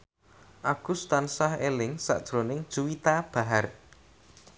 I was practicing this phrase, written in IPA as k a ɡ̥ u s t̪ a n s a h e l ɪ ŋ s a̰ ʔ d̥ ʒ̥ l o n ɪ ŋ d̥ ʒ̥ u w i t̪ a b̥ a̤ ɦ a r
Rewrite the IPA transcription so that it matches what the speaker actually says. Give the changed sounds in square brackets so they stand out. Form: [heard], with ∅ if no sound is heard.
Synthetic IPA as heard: [ʔ] a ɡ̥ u s t̪ a n s a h e l ɪ ŋ s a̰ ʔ d̥ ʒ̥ [ɾ] o n ɪ ŋ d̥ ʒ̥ u w i t̪ a b̥ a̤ ɦ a r